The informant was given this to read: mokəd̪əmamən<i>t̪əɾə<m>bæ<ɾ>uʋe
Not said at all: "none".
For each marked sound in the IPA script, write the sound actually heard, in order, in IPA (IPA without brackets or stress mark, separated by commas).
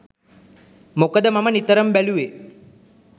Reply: i, m, l